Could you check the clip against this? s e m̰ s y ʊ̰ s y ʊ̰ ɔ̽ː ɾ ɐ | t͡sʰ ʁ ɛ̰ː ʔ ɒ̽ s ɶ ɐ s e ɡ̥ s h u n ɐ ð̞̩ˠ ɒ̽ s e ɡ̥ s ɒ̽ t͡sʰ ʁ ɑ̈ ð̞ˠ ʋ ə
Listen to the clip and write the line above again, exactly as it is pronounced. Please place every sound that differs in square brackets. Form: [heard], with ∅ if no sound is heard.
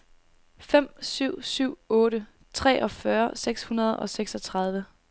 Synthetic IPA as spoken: [f] e m̰ s y ʊ̰ s y ʊ̰ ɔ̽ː ɾ [ə] | t͡sʰ ʁ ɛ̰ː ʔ ɒ̽ [f] ɶ ɐ s e ɡ̥ s h u n ɐ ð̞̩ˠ ɒ̽ s e ɡ̥ s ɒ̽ t͡sʰ ʁ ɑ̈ ð̞ˠ ʋ ə